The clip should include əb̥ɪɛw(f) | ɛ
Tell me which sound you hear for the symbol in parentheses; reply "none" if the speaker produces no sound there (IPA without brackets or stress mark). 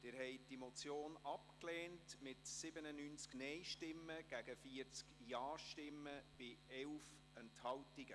f